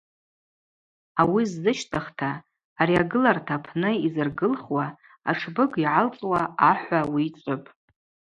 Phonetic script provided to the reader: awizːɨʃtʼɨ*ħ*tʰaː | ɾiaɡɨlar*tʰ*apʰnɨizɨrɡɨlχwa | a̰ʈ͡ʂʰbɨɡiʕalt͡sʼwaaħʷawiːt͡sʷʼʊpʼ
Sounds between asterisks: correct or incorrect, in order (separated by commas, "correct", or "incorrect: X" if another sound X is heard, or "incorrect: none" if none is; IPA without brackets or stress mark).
incorrect: χ, correct